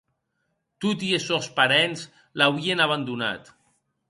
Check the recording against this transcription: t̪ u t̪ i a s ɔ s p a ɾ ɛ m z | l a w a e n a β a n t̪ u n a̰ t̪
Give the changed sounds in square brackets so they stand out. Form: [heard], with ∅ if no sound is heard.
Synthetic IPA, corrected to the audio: t̪ u t̪ i [e] s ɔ s p a ɾ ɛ [n] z | l a w [i] e n a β a n [d̪] u n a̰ t̪